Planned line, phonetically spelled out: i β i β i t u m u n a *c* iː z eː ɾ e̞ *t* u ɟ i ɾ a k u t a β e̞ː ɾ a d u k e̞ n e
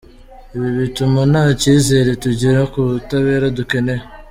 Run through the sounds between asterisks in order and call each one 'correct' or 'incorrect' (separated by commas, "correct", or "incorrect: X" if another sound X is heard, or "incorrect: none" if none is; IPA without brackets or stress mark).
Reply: correct, correct